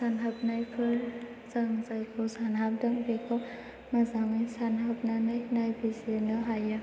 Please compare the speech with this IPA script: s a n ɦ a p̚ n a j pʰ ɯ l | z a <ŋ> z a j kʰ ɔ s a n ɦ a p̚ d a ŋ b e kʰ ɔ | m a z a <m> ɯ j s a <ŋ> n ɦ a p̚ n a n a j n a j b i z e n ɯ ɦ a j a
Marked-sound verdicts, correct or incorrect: correct, incorrect: ŋ, incorrect: none

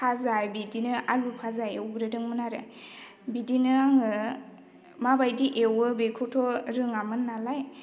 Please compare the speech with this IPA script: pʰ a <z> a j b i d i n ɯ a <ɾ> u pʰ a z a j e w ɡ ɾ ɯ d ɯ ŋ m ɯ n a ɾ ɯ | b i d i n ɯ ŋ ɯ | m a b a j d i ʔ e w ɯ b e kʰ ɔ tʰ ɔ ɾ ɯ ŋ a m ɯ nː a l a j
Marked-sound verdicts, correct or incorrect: correct, incorrect: l

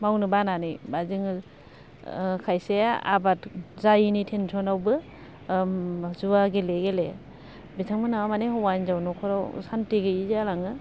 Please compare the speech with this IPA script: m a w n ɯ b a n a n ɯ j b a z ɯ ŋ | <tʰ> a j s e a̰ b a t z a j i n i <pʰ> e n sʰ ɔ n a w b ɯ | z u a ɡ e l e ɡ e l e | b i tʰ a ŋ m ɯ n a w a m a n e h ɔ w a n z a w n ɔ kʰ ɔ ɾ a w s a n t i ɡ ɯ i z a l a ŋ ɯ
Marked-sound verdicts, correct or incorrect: incorrect: kʰ, incorrect: tʰ

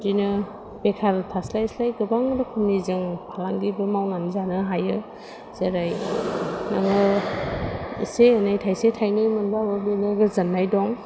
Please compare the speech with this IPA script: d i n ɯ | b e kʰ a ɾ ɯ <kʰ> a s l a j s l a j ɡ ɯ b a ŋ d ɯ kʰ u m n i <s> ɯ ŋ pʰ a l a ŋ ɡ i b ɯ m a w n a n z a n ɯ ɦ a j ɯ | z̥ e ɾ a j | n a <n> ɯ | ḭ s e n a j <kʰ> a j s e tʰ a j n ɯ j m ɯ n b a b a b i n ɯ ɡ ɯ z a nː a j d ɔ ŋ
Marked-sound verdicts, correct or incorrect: incorrect: tʰ, incorrect: z, incorrect: ŋ, incorrect: tʰ

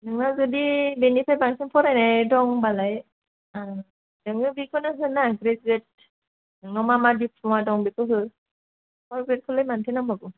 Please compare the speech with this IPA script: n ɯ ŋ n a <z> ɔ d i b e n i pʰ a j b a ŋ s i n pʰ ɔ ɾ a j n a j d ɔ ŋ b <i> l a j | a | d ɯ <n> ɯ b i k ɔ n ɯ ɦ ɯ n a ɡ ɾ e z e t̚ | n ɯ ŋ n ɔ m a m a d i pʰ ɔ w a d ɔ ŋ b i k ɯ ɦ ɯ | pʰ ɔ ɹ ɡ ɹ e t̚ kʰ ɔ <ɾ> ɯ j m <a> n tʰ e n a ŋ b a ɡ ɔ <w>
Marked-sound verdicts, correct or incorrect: correct, incorrect: a, incorrect: ŋ, incorrect: l, correct, incorrect: none

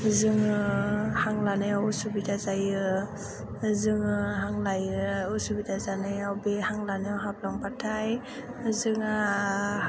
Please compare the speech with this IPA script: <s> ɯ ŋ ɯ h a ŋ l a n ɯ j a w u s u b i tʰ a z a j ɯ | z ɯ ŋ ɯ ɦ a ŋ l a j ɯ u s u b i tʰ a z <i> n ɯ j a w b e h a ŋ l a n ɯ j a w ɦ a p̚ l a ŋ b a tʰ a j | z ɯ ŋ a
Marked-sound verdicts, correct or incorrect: incorrect: z, incorrect: a

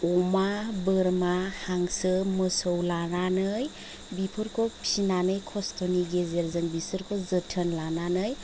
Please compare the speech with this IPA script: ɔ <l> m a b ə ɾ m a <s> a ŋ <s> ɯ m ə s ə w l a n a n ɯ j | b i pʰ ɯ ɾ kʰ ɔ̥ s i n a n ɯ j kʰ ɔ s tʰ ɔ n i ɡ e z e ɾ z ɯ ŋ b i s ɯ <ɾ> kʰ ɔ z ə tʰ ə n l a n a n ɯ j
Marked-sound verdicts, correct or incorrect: incorrect: none, incorrect: h, correct, correct

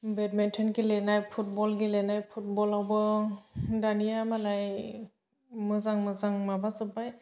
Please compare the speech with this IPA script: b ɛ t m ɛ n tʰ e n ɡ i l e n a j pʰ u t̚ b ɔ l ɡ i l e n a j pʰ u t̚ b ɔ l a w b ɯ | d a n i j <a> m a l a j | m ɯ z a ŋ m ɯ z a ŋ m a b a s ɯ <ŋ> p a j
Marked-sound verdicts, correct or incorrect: correct, incorrect: none

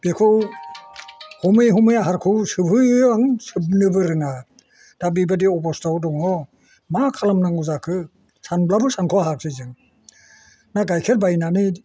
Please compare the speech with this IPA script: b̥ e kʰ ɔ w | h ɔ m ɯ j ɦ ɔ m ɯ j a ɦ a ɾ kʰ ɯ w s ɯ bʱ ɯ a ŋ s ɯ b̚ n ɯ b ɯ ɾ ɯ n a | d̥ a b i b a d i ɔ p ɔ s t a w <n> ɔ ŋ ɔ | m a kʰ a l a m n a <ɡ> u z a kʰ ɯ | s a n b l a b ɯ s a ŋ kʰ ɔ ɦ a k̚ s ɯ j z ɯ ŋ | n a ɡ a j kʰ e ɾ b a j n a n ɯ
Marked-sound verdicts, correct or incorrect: incorrect: d, incorrect: ŋ

